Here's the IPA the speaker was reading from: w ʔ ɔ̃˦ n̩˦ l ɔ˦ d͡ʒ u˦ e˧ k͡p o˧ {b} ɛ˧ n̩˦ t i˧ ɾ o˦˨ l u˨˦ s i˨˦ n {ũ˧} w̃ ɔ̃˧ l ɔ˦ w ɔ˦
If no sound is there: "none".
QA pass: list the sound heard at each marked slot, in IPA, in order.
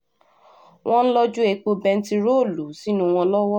b, ũ˧

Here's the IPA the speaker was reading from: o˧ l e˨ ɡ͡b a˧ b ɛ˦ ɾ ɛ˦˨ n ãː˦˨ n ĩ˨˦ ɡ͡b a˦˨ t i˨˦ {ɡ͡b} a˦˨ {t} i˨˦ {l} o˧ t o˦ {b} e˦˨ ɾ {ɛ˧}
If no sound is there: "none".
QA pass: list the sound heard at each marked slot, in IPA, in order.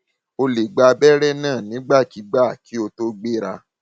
ɡ͡b, k, none, ɡ͡b, a˧

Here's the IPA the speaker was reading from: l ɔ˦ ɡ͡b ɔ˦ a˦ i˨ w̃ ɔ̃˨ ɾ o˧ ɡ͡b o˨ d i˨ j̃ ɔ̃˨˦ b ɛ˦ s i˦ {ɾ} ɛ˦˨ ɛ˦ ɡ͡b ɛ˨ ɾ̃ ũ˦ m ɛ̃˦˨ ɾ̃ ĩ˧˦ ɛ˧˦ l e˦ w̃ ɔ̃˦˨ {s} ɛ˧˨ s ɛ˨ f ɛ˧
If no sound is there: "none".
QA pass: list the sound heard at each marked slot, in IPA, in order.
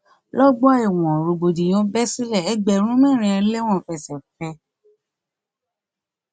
l, f

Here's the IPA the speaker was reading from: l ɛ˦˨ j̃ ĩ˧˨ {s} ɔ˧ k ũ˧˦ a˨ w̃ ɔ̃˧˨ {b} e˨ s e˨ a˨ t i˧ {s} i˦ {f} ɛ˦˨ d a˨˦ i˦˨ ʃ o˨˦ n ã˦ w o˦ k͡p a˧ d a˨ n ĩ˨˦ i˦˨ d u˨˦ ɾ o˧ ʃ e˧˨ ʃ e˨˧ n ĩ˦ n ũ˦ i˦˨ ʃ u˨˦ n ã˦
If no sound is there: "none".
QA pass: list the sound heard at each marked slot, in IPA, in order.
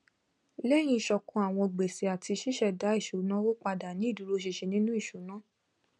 ʃ, ɡ͡b, ʃ, ʃ

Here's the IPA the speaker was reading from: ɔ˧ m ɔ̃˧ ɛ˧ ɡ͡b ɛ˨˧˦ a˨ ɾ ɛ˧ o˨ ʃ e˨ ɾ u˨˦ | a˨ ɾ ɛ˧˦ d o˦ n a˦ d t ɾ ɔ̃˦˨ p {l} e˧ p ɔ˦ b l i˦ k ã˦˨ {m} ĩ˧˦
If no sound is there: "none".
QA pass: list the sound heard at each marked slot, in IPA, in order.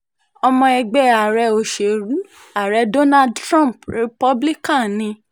ɾ, n

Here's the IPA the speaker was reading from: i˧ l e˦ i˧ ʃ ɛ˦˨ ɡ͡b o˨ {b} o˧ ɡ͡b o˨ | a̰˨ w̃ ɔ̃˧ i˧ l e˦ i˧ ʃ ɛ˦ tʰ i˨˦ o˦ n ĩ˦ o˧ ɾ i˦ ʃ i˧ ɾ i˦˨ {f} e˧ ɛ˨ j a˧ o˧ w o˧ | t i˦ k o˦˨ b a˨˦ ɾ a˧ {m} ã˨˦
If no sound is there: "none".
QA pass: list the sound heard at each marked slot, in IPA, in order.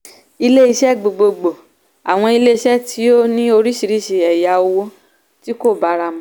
ɡ͡b, ʃ, m

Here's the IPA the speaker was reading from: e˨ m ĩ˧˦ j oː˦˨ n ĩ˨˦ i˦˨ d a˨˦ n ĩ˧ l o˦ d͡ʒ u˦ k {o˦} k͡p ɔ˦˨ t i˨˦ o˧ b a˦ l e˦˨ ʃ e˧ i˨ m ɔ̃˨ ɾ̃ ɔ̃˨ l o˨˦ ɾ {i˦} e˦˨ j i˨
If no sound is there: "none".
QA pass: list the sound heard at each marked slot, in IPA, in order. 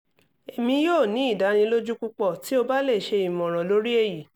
u˦, i˦

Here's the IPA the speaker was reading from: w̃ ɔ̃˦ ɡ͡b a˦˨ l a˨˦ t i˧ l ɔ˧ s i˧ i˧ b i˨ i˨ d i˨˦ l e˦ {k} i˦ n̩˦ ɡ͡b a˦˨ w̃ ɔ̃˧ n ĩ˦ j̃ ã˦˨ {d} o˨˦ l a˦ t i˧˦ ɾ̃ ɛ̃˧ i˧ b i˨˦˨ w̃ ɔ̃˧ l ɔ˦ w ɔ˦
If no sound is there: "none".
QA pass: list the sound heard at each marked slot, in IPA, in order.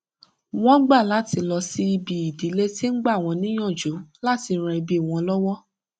t, d͡ʒ

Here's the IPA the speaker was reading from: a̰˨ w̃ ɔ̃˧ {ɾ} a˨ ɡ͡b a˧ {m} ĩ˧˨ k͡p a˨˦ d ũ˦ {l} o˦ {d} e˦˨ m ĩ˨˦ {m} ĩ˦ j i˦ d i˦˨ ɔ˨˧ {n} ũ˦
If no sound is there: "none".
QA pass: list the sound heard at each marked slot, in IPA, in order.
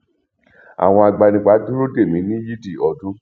none, n, ɾ, d, n, d

